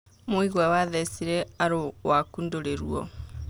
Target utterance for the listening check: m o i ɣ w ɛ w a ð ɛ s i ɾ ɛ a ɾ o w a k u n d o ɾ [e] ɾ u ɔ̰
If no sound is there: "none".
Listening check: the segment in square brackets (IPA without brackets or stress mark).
e